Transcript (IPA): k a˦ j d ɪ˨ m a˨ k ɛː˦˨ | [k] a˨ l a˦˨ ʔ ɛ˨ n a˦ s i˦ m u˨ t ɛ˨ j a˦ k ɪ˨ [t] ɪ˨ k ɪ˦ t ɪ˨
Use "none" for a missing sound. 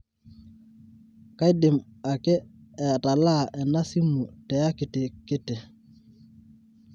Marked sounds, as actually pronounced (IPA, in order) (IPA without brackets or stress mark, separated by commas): t, t